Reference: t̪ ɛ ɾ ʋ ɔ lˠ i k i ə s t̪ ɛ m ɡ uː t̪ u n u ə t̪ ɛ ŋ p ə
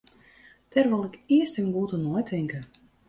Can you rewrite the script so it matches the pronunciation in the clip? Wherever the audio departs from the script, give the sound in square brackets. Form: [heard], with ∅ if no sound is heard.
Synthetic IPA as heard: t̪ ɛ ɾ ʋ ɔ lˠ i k i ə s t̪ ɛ m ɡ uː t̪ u n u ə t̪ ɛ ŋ [k] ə

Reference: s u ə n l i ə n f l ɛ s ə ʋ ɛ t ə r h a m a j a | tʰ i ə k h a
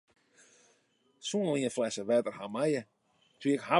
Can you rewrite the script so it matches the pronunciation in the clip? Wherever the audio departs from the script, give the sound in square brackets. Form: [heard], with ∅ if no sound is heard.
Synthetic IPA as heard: s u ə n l i ə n f l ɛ s ə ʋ ɛ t ə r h a m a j [ə] | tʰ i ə k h a

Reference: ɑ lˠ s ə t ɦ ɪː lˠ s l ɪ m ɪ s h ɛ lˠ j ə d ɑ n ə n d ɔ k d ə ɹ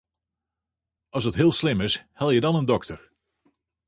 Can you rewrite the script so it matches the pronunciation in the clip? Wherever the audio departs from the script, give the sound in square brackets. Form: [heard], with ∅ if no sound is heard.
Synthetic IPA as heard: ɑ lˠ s ə t ɦ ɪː lˠ s l ɪ m ɪ s h ɛ lˠ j ə d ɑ n ə n d ɔ k [t] ə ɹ

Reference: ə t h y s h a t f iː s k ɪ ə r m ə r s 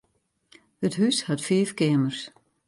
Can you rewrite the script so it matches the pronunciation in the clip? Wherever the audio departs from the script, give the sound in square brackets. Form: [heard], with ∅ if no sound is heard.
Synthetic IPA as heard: ə t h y s h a t f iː [f] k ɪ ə [∅] m ə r s

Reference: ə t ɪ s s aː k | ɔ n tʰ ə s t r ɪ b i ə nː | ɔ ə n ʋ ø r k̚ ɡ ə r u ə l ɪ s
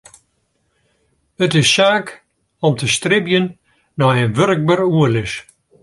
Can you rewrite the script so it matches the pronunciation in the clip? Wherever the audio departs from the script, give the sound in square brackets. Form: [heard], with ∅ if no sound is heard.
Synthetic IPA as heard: ə t ɪ s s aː k | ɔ [m] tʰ ə s t r ɪ b [j] ə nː | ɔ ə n ʋ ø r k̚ [b] ə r u ə l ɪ s

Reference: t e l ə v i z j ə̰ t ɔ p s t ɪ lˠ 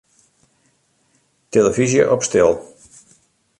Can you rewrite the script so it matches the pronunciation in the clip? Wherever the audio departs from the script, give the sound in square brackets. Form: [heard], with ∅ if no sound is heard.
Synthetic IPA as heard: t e l ə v i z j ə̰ [ʔ] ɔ p s t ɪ lˠ

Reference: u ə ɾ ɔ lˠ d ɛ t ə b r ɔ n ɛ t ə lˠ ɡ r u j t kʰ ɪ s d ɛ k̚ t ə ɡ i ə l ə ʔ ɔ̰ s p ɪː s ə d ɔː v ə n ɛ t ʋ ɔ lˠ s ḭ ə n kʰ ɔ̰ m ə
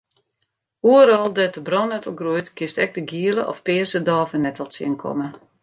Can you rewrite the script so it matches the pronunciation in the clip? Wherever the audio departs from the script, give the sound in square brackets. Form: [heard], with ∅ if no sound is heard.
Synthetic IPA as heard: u ə ɾ ɔ lˠ d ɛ t ə b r ɔ n ɛ t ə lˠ ɡ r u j t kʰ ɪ s [t] ɛ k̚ [d] ə ɡ i ə l ə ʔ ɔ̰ [f] p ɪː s ə d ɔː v ə n ɛ t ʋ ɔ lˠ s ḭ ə n kʰ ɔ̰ m ə

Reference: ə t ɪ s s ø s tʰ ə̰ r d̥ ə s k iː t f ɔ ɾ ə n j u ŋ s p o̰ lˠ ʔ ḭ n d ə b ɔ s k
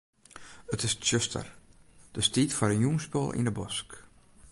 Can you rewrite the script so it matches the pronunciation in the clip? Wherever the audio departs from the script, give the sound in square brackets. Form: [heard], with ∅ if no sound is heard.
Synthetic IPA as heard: ə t ɪ s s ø s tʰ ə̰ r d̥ ə s [t] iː t f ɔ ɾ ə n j u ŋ s p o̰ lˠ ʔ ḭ n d ə b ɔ s k

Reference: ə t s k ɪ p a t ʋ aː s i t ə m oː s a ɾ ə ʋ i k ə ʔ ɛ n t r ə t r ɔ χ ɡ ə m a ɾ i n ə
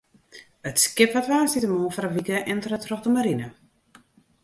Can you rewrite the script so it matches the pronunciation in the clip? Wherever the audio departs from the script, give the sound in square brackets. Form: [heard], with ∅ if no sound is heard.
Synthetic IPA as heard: ə t s k ɪ p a t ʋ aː s i t ə m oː [f] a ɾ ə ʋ i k ə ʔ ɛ n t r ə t r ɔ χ [d] ə m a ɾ i n ə

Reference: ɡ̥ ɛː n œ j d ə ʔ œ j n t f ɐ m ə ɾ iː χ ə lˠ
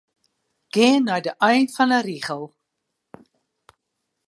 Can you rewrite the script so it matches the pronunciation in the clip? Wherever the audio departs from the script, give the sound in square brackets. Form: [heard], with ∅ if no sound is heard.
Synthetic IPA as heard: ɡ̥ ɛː n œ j d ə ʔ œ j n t f ɐ [n] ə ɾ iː χ ə lˠ

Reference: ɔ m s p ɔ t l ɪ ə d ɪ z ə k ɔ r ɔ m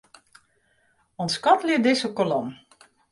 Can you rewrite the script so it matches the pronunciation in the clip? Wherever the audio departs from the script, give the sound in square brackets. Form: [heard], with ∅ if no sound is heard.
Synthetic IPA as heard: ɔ [n] s [k] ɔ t l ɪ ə d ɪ [s] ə k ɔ [l] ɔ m

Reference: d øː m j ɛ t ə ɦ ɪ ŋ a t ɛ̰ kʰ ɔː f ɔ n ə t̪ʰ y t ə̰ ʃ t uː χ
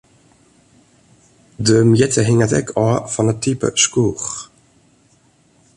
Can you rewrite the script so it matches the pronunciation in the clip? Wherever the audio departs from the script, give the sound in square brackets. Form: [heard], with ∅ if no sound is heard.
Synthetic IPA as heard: d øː m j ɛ t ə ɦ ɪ ŋ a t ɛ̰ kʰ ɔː f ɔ n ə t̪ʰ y [p] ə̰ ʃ [k] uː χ

